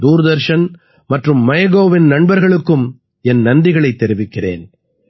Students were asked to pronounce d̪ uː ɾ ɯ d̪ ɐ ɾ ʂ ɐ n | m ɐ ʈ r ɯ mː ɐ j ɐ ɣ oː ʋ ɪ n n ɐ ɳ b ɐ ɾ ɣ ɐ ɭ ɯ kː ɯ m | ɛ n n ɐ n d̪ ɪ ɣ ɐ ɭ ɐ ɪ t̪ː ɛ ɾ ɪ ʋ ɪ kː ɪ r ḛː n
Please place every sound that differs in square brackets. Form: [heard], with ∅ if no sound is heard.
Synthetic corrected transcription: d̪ uː ɾ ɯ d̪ ɐ ɾ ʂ ɐ n | m ɐ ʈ r ɯ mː ɐ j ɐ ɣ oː ʋ ɪ n n ɐ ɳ b ɐ ɾ ɣ ɐ ɭ ɯ kː ɯ m | ɛ n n ɐ n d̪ ɪ ɣ ɐ ɭ ɐ ɪ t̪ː ɛ ɾ ɪ ʋ ɪ kː ɪ r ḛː n